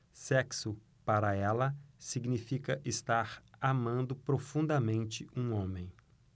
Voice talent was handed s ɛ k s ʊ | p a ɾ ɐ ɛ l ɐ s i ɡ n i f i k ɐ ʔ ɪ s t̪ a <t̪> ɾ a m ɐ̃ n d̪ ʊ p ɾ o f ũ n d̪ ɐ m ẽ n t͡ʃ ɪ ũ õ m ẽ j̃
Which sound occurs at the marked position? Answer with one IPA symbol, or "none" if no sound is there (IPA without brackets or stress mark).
none